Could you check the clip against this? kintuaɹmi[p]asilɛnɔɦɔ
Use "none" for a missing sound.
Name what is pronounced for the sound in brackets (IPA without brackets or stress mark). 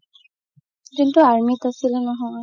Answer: t